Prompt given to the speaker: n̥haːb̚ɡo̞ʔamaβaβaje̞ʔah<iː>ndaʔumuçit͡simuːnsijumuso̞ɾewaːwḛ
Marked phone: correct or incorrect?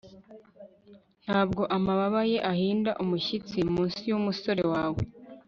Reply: correct